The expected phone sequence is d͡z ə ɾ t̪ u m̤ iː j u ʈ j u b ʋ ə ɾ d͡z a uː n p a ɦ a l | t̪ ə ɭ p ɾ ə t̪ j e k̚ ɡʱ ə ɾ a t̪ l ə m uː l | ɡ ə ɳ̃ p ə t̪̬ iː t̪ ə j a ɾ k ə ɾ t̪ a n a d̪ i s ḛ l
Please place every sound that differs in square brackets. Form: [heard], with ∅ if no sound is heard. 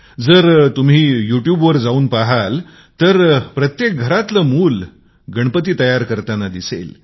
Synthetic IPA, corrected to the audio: d͡z ə ɾ t̪ u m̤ iː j u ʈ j u b ʋ ə ɾ d͡z a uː n p a ɦ a l | t̪ ə [ɾ] p ɾ ə t̪ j e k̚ ɡʱ ə ɾ a t̪ l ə m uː l | ɡ ə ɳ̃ p ə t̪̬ iː t̪ ə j a ɾ k ə ɾ t̪ a n a d̪ i s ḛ l